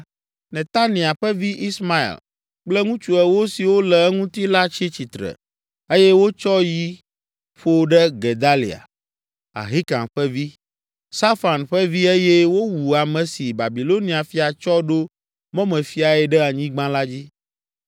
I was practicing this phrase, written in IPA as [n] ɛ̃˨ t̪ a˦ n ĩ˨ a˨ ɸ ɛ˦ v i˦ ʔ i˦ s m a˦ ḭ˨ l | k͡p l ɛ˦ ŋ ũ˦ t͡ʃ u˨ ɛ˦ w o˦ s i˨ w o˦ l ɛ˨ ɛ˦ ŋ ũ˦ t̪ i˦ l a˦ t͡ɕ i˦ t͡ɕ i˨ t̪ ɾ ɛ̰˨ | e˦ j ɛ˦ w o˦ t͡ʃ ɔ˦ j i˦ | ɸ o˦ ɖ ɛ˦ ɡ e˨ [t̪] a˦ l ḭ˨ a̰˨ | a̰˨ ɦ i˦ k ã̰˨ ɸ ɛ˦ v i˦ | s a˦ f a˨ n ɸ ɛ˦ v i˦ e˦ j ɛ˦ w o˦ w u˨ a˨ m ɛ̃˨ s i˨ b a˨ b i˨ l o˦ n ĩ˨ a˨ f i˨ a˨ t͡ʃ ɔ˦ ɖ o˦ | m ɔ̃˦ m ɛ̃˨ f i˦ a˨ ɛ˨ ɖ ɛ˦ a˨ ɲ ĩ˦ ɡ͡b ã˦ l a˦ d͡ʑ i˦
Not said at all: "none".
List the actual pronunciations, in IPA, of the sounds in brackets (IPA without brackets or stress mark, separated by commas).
n, d̪